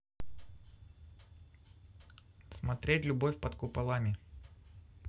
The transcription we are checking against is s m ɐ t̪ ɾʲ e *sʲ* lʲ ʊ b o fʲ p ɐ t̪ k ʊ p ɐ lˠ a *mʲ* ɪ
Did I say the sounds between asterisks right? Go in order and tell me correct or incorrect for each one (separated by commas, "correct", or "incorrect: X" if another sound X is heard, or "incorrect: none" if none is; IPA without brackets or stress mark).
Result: incorrect: tʲ, correct